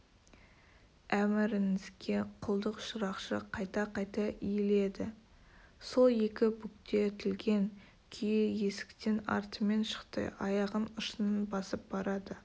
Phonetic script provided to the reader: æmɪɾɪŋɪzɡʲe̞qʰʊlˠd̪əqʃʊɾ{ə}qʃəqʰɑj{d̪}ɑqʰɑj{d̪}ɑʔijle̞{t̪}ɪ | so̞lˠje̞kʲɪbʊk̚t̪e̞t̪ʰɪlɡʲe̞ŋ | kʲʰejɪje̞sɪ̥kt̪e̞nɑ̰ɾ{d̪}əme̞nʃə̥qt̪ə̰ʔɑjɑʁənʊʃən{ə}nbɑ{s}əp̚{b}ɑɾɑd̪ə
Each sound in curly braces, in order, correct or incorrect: incorrect: ɑ, incorrect: t̪, incorrect: t̪, incorrect: d̪, incorrect: t̪, correct, correct, correct

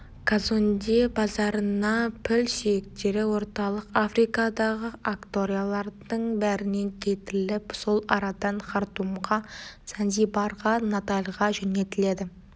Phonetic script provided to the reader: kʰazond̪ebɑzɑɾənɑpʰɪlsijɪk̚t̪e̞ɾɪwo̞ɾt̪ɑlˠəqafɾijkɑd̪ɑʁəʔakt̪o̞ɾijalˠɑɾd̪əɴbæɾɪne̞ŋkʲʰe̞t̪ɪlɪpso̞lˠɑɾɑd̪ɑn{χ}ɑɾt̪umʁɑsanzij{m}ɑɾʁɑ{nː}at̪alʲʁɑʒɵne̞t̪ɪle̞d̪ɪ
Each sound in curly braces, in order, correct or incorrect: correct, incorrect: b, incorrect: n

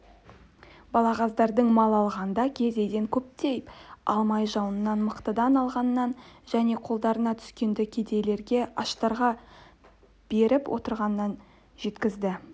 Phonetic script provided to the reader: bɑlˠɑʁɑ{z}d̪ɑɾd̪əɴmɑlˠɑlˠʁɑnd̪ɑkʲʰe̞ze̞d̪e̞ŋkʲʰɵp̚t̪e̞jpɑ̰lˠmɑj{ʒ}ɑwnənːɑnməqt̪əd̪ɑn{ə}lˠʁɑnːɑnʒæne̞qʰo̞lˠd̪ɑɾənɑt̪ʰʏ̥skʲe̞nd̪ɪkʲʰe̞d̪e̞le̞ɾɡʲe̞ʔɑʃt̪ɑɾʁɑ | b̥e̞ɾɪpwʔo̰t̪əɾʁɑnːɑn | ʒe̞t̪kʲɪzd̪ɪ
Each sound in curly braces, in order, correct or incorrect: correct, correct, incorrect: ɑ

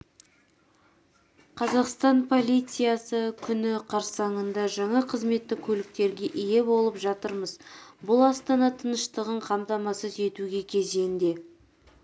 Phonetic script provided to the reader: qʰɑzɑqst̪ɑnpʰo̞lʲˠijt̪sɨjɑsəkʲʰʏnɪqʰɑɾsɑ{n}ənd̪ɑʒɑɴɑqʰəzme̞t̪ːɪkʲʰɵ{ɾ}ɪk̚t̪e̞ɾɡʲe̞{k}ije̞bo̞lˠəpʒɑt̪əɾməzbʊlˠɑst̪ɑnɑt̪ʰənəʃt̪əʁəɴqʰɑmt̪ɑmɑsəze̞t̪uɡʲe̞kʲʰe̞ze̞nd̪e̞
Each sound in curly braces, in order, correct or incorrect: incorrect: ɴ, incorrect: l, incorrect: ʔ

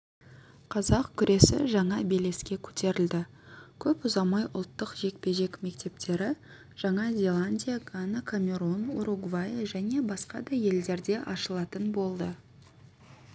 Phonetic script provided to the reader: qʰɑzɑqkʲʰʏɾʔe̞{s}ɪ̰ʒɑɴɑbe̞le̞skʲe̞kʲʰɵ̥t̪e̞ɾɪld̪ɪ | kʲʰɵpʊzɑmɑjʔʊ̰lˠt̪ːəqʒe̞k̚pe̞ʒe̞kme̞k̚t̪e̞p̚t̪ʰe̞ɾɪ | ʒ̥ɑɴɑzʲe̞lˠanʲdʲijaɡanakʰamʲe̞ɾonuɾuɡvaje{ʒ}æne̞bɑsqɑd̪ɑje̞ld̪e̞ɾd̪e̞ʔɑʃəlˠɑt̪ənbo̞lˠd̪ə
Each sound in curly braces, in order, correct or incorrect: correct, correct

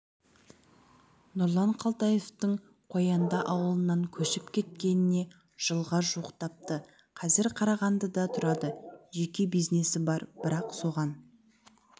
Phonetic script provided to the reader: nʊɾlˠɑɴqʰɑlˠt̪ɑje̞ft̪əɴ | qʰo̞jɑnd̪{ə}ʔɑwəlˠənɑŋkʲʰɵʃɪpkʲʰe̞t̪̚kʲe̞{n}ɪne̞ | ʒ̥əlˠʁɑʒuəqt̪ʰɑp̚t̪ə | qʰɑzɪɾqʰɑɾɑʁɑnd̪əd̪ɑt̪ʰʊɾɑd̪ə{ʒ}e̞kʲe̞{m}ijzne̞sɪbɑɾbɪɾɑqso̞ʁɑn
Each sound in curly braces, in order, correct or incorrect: incorrect: ɑ, correct, correct, incorrect: b

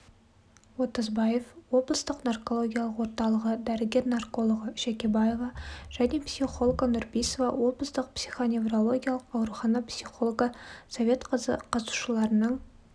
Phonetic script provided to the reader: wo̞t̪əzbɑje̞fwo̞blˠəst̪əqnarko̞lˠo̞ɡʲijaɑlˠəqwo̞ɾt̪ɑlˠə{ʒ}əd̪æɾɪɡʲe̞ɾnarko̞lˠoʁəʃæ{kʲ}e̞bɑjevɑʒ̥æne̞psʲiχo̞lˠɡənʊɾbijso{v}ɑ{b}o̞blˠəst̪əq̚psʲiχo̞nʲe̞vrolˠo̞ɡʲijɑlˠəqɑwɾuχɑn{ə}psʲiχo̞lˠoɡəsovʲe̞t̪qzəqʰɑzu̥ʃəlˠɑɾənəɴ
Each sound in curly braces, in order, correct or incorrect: incorrect: ʁ, correct, correct, incorrect: w, incorrect: ɑ

